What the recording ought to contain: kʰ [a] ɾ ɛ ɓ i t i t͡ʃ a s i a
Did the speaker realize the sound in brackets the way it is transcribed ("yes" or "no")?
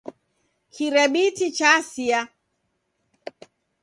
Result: no